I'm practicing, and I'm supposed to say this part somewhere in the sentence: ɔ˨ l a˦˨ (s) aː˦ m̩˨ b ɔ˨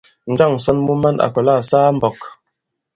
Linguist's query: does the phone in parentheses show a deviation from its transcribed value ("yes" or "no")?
no